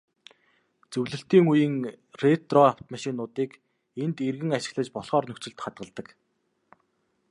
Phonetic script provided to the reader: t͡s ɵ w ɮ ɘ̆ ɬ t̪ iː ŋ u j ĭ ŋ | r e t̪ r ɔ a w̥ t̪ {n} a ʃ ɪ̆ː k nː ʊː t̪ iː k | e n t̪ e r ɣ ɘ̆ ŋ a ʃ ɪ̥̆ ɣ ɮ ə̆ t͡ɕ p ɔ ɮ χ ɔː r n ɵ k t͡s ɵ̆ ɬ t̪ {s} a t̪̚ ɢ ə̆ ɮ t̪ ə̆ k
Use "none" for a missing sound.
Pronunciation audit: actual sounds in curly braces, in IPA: m, χ

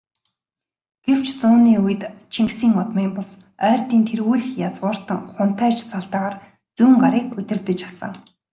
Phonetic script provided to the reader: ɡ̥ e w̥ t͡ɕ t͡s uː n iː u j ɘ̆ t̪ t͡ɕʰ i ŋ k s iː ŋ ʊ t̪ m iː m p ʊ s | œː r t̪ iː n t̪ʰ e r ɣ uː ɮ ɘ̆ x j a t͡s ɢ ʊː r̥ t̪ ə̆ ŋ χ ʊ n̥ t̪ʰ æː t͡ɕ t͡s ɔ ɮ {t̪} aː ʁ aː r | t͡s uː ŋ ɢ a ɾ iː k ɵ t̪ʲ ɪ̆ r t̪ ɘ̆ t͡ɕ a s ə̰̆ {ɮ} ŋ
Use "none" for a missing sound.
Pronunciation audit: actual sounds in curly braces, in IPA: t̪, none

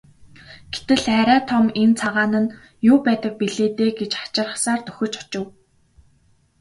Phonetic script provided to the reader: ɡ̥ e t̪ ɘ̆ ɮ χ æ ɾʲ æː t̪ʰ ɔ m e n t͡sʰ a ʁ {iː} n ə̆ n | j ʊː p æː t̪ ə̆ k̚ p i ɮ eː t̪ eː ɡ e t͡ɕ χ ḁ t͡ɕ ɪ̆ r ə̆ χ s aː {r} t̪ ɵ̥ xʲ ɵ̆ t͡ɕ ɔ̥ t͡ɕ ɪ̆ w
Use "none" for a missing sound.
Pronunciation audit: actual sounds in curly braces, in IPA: aː, r

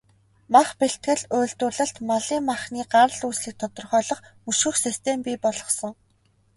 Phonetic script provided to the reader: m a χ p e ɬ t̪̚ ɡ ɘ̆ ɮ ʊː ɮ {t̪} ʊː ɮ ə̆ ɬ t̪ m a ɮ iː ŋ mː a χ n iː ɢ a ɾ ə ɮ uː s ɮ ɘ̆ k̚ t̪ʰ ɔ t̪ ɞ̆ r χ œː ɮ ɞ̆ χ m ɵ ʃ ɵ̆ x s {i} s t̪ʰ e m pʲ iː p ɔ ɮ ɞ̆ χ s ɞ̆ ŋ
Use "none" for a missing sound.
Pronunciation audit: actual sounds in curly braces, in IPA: t̪, i

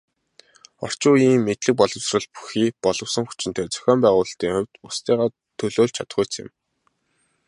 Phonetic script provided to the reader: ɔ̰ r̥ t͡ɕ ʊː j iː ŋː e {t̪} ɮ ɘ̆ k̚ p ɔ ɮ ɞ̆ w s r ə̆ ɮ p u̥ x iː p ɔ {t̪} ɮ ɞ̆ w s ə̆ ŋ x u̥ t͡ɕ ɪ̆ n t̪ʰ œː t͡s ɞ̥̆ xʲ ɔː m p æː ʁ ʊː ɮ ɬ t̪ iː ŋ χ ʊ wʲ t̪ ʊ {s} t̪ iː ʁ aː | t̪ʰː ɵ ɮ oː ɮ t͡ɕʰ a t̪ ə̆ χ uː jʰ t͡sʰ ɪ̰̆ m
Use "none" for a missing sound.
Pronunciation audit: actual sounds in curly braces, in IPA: t̪, none, s

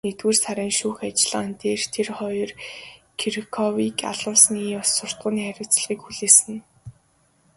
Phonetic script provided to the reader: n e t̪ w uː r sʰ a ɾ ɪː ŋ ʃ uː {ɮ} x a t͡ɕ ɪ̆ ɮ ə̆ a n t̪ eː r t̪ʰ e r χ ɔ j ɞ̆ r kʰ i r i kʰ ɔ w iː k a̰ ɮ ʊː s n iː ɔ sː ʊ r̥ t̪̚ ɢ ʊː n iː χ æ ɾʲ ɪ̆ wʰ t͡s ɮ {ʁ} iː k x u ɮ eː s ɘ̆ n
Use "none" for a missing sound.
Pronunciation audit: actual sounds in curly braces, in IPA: none, ʁ

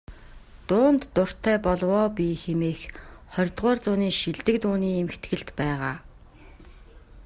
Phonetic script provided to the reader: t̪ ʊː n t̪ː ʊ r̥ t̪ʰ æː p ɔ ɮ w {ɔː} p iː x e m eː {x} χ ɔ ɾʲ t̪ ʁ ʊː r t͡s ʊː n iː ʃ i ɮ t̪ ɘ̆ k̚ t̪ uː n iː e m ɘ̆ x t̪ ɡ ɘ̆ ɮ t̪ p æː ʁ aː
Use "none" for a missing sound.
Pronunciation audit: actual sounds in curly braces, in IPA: ɔː, x

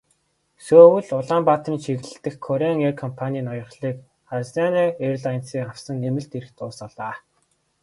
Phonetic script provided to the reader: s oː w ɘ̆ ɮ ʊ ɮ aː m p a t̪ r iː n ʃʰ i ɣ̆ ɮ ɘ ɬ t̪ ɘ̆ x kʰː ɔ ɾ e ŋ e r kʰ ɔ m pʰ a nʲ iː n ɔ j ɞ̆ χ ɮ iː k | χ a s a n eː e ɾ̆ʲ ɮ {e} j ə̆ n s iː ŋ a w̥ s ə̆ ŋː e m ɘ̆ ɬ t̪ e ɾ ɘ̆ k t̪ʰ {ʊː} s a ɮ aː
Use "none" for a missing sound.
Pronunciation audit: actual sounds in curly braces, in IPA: a, ʊː

